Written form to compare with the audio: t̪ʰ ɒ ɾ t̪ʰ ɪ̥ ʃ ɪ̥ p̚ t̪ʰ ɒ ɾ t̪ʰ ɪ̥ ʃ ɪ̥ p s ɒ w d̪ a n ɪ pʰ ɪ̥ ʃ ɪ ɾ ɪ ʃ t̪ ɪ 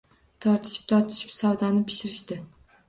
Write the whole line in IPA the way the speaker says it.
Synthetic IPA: t̪ʰ ɒ ɾ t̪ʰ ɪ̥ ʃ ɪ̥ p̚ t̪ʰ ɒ ɾ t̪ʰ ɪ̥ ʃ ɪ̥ p s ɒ w d̪ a n ɪ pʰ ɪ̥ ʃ ɪ ɾ ɪ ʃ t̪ ɪ